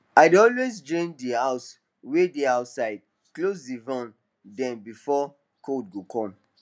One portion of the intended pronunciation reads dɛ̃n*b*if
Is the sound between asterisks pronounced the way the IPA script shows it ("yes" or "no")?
yes